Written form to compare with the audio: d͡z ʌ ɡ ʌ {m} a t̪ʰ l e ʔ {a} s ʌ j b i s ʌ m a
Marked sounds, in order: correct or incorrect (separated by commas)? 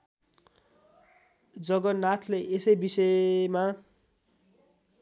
incorrect, incorrect